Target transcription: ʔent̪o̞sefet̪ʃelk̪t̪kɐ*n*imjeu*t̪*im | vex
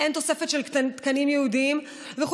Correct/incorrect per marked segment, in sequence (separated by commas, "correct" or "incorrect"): correct, incorrect